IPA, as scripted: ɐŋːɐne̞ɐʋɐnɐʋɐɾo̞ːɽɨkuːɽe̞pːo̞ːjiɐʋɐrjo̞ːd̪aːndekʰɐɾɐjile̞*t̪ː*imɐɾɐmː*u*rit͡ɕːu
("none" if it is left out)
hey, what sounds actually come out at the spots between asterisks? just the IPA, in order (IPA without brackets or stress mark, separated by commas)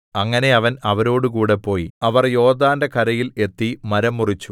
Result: t̪ː, u